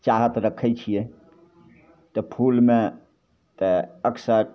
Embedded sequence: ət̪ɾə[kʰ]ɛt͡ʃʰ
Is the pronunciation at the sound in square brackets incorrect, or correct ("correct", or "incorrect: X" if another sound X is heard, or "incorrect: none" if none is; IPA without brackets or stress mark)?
correct